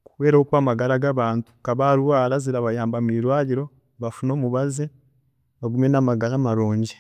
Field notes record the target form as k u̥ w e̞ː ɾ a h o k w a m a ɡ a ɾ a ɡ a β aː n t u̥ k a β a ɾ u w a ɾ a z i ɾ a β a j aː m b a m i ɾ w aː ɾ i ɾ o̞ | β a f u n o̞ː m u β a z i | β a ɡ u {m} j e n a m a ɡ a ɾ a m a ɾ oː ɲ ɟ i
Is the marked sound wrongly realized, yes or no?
no